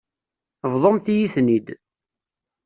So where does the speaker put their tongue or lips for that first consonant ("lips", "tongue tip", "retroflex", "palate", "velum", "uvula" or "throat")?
lips